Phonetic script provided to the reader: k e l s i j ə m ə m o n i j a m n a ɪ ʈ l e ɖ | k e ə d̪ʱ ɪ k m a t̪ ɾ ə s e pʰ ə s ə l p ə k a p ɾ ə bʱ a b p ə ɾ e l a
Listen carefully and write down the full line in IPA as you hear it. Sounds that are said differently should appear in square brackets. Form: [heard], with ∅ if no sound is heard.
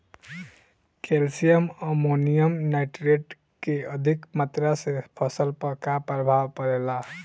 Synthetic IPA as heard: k e l s i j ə m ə m o n i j [ə] m n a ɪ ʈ [ɾ] e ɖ | k e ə d̪ʱ [i] k m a t̪ ɾ [a] s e pʰ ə s ə l p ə k a p ɾ ə bʱ a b p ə ɾ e l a